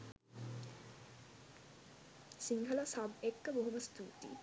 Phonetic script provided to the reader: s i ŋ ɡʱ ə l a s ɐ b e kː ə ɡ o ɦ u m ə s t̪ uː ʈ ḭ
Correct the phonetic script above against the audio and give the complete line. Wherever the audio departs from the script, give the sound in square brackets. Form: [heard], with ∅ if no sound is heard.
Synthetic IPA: s i ŋ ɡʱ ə l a s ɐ b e kː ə [b] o ɦ u m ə s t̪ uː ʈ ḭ